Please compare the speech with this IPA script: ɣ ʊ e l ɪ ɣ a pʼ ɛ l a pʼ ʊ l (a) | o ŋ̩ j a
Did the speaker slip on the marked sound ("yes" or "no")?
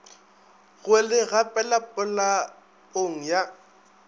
no